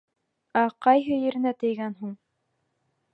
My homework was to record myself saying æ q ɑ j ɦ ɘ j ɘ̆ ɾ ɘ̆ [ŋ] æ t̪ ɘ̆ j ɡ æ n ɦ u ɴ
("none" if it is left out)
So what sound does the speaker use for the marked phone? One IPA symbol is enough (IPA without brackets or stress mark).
n